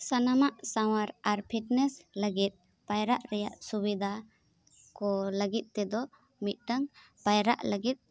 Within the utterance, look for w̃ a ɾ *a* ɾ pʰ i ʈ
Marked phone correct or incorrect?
correct